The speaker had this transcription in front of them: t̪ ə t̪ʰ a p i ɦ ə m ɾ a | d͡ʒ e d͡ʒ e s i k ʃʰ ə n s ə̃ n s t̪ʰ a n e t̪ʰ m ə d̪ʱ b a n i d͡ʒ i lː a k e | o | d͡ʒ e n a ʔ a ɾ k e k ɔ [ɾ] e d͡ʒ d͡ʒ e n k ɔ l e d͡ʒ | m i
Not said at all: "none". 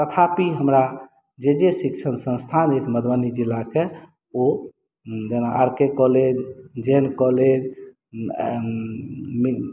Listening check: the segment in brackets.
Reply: l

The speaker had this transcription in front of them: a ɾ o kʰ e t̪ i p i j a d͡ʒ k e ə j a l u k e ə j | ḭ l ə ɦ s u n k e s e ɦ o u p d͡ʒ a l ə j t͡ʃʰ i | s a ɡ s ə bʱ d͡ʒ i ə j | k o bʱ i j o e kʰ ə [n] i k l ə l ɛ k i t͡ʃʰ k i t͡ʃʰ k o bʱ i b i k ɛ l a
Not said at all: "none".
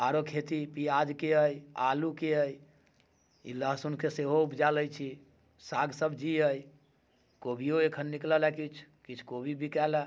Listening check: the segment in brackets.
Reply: nː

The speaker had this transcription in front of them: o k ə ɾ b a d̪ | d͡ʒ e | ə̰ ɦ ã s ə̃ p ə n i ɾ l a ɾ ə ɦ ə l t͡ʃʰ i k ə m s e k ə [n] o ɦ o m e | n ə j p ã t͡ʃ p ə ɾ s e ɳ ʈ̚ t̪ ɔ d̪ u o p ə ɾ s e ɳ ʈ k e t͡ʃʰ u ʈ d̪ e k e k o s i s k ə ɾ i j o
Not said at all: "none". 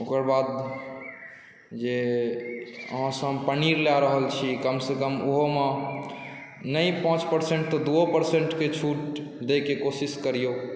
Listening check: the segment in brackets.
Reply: m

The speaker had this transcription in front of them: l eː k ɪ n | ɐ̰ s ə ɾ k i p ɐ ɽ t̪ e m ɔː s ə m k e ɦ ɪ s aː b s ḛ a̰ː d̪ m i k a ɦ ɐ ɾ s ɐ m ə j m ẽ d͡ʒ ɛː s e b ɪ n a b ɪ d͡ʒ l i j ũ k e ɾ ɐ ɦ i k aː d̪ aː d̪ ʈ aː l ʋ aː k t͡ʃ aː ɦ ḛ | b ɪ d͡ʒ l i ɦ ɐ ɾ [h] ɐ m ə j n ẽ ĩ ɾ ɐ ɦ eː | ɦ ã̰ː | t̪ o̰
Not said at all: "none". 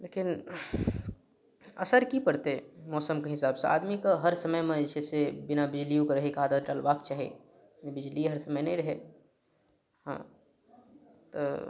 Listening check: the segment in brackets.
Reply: s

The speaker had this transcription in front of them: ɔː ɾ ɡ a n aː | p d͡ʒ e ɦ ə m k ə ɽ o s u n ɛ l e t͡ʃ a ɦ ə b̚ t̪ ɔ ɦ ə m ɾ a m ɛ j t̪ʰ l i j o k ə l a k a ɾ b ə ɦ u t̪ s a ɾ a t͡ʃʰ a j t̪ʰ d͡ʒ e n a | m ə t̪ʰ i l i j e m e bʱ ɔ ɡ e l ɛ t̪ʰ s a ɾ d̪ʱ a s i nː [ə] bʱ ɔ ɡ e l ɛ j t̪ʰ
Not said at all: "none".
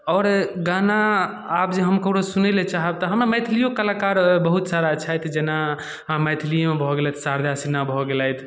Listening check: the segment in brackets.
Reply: a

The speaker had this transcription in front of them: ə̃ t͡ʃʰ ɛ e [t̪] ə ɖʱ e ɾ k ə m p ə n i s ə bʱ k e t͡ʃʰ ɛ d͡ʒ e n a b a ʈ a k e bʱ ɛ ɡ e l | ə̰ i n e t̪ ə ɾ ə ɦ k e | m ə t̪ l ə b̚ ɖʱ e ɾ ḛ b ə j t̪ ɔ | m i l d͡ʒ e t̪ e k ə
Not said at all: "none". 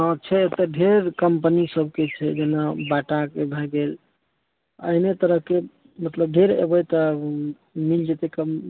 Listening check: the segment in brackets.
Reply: t̪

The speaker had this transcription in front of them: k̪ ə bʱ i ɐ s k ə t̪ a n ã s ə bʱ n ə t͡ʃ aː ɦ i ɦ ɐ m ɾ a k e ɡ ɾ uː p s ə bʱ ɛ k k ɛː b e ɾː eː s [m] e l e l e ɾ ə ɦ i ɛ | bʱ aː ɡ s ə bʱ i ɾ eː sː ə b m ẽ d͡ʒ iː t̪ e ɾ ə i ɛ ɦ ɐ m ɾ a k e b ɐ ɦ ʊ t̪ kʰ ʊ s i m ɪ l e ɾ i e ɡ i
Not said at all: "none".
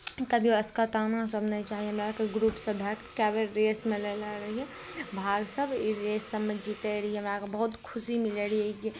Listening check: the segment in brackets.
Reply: m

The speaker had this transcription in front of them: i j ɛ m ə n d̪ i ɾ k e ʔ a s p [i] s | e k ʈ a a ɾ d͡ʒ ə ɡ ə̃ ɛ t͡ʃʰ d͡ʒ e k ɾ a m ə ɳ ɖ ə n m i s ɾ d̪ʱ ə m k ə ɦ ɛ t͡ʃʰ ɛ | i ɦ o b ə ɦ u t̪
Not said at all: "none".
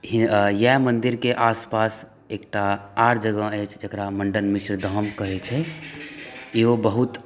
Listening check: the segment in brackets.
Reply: a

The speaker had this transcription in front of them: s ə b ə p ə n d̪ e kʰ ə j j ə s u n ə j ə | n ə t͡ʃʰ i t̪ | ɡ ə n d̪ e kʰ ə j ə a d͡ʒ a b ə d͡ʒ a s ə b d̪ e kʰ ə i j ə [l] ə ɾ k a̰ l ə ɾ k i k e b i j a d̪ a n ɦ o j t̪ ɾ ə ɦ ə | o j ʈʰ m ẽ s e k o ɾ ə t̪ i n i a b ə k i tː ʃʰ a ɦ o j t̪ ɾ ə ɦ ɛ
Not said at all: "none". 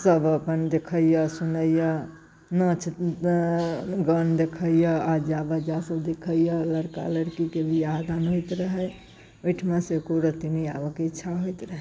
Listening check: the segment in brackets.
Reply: l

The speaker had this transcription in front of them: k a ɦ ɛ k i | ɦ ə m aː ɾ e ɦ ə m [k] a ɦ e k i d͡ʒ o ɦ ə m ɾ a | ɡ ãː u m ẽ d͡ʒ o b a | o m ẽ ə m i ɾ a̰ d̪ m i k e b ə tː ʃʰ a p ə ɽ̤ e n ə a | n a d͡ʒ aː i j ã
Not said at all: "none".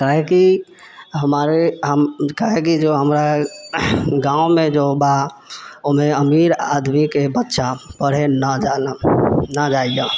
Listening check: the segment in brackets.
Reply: k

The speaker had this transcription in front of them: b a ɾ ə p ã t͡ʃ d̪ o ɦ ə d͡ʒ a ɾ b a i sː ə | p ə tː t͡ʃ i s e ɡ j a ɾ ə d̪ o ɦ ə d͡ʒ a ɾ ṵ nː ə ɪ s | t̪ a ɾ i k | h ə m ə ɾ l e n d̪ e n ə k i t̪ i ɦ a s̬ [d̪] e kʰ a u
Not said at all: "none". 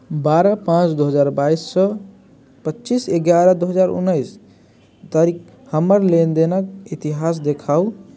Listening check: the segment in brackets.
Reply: d̪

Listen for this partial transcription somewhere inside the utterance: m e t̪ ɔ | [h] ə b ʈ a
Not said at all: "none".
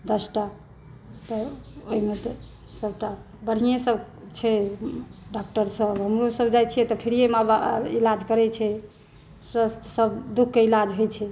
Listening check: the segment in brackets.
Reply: s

